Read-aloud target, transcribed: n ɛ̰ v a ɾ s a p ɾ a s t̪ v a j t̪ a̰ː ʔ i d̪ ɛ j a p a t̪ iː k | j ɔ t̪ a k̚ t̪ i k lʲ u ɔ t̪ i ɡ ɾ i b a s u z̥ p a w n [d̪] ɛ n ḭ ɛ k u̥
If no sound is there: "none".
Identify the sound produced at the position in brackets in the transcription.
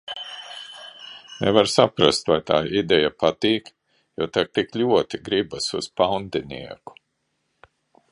d̪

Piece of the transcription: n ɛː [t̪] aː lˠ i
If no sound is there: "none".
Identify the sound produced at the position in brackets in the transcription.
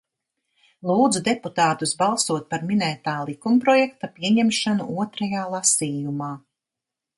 t̪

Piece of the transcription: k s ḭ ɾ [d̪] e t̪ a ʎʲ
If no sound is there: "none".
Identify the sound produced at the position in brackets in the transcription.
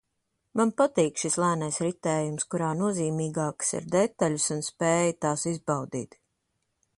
d̪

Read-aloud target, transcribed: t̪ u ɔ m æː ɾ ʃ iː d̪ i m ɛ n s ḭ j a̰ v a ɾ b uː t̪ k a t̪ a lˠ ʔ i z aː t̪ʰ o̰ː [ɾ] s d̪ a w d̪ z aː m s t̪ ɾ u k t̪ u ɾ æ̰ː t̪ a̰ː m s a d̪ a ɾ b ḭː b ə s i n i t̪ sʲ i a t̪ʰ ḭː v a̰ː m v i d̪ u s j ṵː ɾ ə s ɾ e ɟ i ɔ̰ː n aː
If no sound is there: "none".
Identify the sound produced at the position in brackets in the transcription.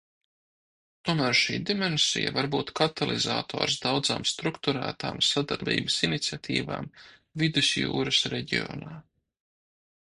ɾ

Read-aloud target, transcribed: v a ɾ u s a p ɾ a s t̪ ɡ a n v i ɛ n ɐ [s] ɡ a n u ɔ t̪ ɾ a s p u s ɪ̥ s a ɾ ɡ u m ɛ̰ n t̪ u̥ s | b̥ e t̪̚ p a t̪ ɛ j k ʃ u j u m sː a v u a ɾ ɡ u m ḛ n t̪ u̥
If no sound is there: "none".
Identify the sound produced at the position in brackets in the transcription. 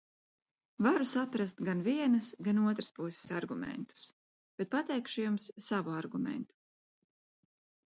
s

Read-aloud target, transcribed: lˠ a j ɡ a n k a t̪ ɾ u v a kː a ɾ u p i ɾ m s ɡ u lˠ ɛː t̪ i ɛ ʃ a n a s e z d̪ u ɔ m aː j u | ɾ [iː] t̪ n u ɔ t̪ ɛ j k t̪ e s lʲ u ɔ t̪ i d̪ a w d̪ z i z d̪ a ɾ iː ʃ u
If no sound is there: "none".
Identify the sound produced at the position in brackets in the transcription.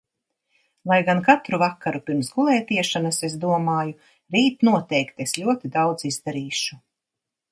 iː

